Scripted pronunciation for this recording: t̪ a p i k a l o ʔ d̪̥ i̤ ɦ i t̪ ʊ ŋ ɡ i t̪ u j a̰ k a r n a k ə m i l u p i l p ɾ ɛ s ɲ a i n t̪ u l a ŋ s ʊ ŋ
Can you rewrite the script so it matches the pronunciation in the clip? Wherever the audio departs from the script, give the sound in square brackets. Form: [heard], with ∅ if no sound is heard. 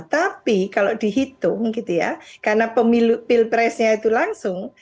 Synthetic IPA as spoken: t̪ a p i k a l o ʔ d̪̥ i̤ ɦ i t̪ ʊ ŋ ɡ i t̪ u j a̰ k a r n a [p] ə m i l u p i l p ɾ ɛ s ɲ a i [∅] t̪ u l a ŋ s ʊ ŋ

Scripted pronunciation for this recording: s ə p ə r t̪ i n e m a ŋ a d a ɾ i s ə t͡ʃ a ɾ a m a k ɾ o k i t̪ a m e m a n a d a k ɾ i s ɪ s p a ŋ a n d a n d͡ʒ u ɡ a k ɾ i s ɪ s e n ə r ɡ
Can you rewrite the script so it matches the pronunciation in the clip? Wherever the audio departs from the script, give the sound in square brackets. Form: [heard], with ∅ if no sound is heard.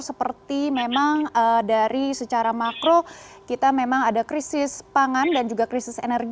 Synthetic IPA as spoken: s ə p ə r t̪ i [m] e m a ŋ [ə] d a ɾ i s ə t͡ʃ a ɾ a m a k ɾ o k i t̪ a m e m a [ŋ] a d a k ɾ i s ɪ s p a ŋ a n d a n d͡ʒ u ɡ a k ɾ i s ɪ s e n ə r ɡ

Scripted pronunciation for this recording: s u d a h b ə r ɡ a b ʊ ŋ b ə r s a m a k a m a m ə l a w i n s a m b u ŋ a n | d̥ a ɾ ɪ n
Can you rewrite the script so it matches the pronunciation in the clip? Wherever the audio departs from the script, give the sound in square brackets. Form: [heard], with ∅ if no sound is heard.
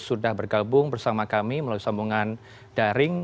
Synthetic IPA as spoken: s u d a h b ə r ɡ a b ʊ ŋ b ə r s a m a k a m [i] m ə l a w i [∅] s a m b u ŋ a n | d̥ a ɾ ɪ [ŋ]

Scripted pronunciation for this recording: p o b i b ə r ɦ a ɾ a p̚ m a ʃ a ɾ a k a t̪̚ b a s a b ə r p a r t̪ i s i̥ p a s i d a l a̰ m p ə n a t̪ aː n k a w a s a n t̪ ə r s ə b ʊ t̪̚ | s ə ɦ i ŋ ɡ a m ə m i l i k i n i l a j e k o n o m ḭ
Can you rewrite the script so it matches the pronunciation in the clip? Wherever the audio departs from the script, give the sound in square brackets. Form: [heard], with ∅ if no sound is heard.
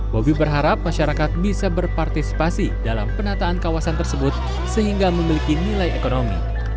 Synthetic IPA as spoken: [b] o b i b ə r ɦ a ɾ a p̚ m a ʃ a ɾ a k a t̪̚ b [i] s a b ə r p a r t̪ i s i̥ p a s i d a l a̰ m p ə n a t̪ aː n k a w a s a n t̪ ə r s ə b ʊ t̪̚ | s ə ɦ i ŋ ɡ a m ə m i l i k i n i l a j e k o n o m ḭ

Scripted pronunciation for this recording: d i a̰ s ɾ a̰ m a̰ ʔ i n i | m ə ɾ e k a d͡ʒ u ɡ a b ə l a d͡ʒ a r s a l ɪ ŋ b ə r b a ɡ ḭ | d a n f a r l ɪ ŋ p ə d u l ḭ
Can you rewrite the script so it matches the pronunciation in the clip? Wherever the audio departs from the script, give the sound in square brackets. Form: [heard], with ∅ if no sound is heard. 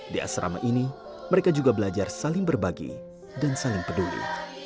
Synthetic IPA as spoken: d i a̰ s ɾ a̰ m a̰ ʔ i n i | m ə ɾ e k a d͡ʒ u ɡ a b ə l a d͡ʒ a r s a l ɪ ŋ b ə r b a ɡ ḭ | d a n [s] a [∅] l ɪ ŋ p ə d u l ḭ

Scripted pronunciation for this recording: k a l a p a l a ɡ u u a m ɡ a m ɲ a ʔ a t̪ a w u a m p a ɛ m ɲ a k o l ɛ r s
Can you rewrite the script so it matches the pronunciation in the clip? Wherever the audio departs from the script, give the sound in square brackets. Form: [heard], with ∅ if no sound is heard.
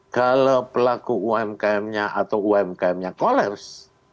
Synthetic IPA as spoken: k a l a p [ə] l a [k] u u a m [k] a m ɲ a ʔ a t̪ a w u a m [k] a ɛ m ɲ a k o l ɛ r s

